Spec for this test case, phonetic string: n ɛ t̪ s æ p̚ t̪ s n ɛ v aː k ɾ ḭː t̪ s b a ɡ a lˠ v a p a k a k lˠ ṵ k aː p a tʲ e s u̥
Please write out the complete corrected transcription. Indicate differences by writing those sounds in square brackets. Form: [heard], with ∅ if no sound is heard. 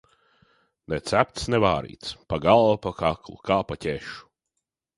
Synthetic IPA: n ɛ t̪ s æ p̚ t̪ s n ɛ v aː [∅] ɾ ḭː t̪ s [p] a ɡ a lˠ v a p a k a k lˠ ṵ k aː p a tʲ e [ʃ] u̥